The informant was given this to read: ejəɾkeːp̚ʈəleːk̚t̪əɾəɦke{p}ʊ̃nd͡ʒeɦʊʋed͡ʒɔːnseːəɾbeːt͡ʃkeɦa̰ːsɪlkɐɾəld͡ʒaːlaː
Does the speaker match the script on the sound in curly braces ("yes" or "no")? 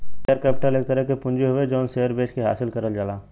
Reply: yes